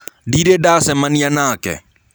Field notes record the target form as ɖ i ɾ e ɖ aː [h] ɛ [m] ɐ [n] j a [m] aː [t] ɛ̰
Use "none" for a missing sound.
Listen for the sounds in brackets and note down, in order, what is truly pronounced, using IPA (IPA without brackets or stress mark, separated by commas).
s, m, n, n, k